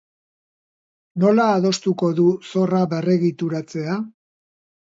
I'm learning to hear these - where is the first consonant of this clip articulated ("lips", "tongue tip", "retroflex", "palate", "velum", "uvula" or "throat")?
tongue tip